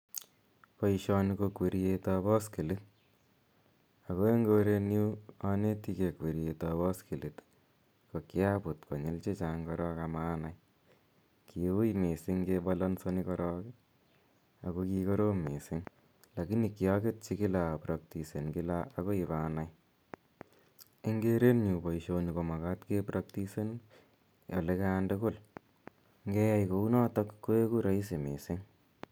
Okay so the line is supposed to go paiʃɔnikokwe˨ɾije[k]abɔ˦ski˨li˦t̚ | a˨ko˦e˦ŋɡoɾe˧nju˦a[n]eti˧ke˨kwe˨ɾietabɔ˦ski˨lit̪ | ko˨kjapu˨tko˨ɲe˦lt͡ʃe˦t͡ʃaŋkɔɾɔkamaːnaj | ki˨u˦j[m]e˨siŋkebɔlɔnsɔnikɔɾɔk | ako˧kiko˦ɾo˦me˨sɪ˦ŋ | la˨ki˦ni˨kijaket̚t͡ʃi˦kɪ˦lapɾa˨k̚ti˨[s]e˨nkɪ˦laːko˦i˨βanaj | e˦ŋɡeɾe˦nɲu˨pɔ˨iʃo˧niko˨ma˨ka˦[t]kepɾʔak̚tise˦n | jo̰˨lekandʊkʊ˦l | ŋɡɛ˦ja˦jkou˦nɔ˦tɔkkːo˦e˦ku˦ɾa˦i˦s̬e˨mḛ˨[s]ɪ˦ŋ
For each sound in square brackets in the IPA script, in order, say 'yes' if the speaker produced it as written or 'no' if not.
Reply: no, yes, yes, yes, yes, yes

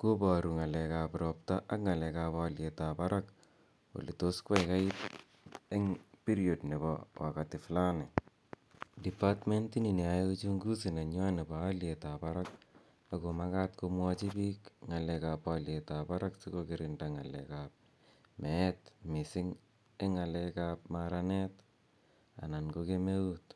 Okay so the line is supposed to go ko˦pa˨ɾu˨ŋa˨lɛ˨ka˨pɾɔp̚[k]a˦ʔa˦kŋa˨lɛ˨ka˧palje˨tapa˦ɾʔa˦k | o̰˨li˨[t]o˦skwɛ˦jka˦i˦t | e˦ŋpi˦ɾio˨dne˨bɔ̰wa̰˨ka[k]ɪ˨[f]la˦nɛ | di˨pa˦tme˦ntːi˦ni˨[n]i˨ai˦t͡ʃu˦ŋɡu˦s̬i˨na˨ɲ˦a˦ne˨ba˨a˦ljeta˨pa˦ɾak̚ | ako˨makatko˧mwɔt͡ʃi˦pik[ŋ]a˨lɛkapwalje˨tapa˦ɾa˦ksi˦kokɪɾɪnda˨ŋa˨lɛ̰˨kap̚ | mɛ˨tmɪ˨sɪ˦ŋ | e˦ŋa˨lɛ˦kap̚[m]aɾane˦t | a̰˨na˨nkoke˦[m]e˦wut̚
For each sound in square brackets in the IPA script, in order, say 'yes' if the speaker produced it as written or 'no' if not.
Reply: no, yes, no, yes, yes, yes, yes, yes

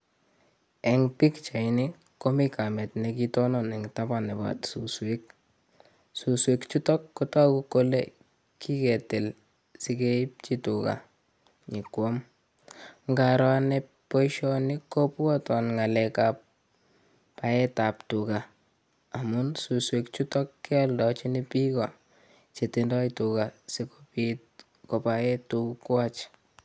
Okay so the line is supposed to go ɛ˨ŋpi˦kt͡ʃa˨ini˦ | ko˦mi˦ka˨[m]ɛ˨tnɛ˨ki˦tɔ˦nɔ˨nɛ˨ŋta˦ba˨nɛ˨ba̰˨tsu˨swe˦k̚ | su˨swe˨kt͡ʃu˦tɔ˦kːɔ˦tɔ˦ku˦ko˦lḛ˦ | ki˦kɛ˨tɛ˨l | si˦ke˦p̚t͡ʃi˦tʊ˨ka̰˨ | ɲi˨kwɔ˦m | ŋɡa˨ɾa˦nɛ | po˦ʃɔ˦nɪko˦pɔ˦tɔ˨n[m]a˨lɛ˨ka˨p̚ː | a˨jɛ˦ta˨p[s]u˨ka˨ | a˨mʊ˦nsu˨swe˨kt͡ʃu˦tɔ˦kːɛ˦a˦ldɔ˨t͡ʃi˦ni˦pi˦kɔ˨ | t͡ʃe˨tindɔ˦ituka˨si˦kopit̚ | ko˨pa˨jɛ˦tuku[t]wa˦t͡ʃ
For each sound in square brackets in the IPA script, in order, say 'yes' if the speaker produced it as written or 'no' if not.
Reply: yes, no, no, no

